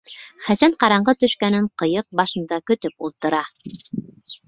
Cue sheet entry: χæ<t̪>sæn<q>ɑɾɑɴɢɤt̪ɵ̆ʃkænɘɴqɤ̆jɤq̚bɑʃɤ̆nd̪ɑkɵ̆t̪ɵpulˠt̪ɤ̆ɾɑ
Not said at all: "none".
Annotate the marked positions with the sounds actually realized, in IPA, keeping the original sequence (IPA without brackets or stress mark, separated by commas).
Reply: none, q